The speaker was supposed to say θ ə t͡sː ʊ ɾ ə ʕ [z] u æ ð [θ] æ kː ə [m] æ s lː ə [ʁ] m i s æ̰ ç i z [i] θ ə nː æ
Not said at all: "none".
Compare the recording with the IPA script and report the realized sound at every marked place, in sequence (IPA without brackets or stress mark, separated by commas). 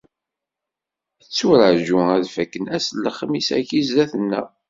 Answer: ʒ, f, n, χ, æ